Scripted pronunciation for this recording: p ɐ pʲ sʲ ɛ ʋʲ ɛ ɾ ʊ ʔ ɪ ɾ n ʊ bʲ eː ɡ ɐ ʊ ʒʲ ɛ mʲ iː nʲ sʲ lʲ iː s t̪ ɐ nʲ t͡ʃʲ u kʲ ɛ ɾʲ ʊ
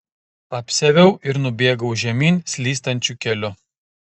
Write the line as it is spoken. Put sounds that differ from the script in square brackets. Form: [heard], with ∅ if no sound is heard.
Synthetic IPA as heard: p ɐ pʲ sʲ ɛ ʋʲ ɛ [∅] ʊ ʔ ɪ ɾ n ʊ bʲ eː ɡ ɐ ʊ ʒʲ ɛ mʲ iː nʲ sʲ lʲ iː s t̪ ɐ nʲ t͡ʃʲ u kʲ ɛ [lʲ] ʊ